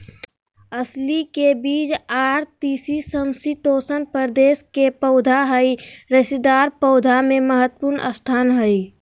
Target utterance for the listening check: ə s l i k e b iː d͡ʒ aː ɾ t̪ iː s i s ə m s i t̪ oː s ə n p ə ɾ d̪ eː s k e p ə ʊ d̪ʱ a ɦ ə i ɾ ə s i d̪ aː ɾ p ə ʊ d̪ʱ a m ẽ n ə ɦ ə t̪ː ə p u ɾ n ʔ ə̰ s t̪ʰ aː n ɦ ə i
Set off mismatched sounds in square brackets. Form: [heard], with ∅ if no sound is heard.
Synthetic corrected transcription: ə s l i k e b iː d͡ʒ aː ɾ t̪ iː s i s ə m s i t̪ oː s ə n p ə ɾ d̪ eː s k e p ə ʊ d̪ʱ a ɦ ə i ɾ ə s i d̪ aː ɾ p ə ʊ d̪ʱ a m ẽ [m] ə ɦ ə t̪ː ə p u ɾ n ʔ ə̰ s t̪ʰ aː n ɦ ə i